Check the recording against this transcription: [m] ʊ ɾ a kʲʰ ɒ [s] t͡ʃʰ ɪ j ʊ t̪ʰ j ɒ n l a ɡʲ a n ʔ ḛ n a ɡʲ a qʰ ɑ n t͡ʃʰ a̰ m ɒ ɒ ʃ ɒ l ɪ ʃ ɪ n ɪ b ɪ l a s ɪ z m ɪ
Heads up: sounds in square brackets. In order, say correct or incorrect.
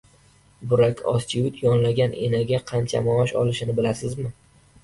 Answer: incorrect: b, correct

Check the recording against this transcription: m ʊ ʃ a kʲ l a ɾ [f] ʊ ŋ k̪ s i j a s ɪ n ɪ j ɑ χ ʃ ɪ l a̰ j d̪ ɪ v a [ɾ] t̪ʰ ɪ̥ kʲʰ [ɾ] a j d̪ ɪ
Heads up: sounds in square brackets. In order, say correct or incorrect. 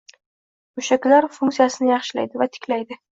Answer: correct, incorrect: none, incorrect: l

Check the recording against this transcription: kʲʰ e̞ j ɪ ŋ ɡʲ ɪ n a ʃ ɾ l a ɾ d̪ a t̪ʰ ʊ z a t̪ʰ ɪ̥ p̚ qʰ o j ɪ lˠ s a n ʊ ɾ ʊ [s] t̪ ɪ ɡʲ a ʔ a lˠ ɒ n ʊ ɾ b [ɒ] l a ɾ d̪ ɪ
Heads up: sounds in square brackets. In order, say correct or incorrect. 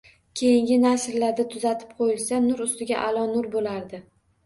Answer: correct, incorrect: o

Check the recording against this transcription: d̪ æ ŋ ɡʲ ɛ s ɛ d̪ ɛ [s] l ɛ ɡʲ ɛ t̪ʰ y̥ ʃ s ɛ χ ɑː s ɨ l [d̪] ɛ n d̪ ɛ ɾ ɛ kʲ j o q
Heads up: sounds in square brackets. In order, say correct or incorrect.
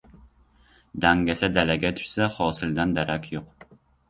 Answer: incorrect: none, correct

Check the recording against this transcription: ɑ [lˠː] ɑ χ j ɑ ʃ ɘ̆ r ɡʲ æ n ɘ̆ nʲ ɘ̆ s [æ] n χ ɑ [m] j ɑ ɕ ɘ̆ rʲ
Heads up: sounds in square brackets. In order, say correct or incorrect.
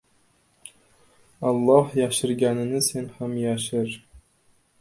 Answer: correct, incorrect: e, correct

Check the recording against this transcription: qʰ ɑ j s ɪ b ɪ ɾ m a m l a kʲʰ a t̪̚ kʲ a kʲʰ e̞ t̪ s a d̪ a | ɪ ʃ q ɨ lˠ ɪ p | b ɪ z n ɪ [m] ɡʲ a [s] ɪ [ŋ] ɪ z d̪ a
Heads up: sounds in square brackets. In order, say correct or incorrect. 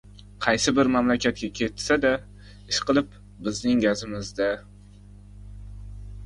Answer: incorrect: ŋ, incorrect: z, incorrect: m

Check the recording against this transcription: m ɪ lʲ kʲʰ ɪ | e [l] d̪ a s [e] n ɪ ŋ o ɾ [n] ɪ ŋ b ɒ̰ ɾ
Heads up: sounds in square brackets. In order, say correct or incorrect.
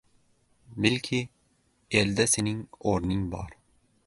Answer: correct, correct, correct

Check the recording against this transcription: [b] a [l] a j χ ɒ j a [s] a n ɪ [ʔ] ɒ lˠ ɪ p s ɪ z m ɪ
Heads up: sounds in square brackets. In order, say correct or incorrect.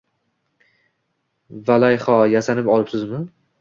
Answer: incorrect: v, correct, correct, incorrect: p

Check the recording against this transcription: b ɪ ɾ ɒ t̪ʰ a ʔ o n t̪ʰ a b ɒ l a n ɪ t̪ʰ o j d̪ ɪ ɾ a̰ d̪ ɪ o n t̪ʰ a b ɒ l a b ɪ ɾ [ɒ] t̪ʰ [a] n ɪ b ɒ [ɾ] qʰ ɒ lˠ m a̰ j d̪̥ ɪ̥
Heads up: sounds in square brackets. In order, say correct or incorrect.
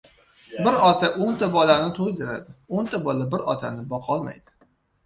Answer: correct, correct, incorrect: none

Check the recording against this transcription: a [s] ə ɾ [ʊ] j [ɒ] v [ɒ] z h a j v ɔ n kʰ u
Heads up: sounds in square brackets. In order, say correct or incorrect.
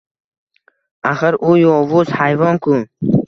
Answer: incorrect: χ, incorrect: u, incorrect: ɔ, incorrect: u

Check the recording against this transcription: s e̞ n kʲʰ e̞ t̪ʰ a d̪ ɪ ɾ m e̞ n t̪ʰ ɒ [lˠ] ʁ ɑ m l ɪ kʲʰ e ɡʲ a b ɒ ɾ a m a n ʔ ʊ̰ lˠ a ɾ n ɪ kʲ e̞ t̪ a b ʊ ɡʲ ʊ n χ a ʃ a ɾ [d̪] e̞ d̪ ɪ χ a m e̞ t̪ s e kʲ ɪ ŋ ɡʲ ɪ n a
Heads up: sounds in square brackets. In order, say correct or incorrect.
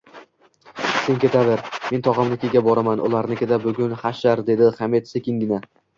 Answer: incorrect: none, correct

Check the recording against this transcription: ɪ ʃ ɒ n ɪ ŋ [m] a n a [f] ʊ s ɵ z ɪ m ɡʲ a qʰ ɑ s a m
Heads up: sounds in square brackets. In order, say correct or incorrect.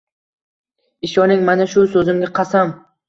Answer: correct, incorrect: ʃ

